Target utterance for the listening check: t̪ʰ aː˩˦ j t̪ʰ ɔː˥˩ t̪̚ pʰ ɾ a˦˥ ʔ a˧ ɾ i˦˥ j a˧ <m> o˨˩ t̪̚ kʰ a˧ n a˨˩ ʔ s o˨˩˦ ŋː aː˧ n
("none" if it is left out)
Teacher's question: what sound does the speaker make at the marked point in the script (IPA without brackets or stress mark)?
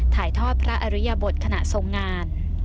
b